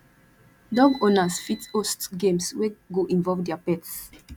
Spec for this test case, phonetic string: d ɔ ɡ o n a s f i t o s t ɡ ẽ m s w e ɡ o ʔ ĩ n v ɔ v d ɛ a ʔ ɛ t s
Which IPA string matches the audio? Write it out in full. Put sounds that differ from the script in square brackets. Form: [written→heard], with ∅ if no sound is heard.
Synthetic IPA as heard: d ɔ ɡ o n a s f i t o s t ɡ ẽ m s w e ɡ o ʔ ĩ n v ɔ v d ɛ a [ʔ→p] ɛ t s